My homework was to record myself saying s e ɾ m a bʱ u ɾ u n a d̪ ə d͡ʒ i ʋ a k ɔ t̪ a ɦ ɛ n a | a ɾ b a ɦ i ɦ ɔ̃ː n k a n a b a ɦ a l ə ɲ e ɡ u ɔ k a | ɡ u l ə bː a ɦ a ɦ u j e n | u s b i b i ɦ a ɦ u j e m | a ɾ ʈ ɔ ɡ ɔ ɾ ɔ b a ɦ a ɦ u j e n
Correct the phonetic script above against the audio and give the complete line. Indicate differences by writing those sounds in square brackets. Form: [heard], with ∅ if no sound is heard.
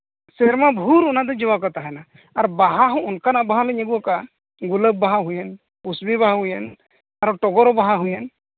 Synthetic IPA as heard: s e ɾ m a bʱ u ɾ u n a d̪ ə d͡ʒ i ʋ a k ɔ t̪ a ɦ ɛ n a | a ɾ b a ɦ [a] ɦ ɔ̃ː n k a n a b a ɦ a l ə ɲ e ɡ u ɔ k a | ɡ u l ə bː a ɦ a ɦ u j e n | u s b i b [a] ɦ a ɦ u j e [n] | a ɾ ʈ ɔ ɡ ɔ ɾ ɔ b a ɦ a ɦ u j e n